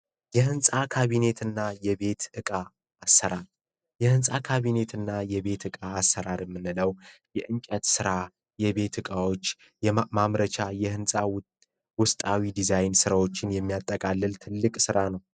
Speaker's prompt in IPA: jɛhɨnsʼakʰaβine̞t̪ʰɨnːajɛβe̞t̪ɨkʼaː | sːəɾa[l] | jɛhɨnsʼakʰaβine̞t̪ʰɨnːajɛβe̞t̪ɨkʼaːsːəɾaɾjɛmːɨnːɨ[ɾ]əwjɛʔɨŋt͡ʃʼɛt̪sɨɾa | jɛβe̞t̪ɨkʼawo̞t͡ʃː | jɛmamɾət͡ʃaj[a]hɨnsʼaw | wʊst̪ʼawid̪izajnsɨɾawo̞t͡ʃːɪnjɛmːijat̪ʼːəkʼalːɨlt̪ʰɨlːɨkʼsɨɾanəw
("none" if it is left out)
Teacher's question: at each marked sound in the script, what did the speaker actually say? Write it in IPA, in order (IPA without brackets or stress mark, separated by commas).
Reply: ɾ, l, ɛ